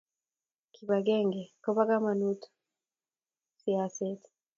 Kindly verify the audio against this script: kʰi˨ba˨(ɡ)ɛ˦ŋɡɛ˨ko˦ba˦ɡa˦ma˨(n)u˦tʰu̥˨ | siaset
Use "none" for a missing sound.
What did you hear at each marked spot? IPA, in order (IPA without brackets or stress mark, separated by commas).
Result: ɡ, n